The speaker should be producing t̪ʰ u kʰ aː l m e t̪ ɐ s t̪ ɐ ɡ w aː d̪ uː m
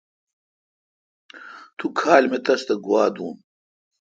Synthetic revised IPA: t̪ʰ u kʰ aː l m e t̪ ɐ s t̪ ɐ ɡ w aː d̪ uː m